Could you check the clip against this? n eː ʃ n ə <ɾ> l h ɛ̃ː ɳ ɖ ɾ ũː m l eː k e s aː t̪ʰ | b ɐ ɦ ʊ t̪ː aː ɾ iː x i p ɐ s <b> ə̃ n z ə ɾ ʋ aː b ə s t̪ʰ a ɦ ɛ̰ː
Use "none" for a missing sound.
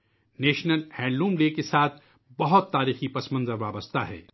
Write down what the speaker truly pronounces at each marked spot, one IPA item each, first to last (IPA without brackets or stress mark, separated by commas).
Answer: none, m